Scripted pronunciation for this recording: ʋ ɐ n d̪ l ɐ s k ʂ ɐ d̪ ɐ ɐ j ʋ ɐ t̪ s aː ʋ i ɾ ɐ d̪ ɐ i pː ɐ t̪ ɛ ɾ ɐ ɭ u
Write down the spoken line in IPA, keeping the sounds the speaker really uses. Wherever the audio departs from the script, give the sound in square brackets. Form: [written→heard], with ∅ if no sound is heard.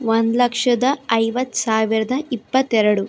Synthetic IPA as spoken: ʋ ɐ n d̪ l ɐ [s→∅] k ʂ ɐ d̪ ɐ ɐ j ʋ ɐ t̪ s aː ʋ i ɾ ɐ d̪ ɐ i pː ɐ t̪ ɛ ɾ ɐ [ɭ→ɽ] u